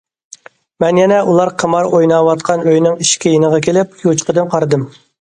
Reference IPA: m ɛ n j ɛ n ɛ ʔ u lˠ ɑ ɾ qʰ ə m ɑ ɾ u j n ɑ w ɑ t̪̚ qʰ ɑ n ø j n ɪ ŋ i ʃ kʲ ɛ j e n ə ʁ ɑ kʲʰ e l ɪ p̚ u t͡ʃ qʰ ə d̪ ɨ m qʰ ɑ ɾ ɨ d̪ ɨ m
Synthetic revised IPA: m ɛ n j ɛ n ɛ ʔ u lˠ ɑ ɾ qʰ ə m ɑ ɾ o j n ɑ w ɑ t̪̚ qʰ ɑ n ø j n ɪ ŋ i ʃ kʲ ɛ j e n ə ʁ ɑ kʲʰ e l ɪ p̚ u t͡ʃ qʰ ə d̪ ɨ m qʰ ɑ ɾ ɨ d̪ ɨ m